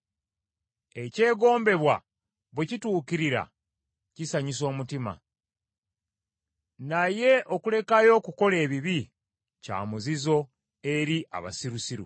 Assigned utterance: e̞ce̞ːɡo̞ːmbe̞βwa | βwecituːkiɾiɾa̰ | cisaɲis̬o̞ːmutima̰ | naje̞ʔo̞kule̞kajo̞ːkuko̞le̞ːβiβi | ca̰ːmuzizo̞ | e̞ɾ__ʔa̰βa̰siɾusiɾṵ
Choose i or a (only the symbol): i